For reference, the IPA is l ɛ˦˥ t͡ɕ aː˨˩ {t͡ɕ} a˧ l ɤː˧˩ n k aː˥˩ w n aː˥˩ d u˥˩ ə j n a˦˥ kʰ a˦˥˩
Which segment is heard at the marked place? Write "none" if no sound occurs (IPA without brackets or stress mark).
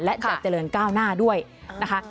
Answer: t͡ɕ